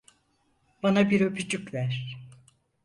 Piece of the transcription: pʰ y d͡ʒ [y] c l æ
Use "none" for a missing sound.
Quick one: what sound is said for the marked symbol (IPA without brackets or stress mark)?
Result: y